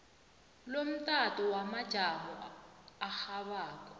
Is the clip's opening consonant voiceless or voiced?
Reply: voiced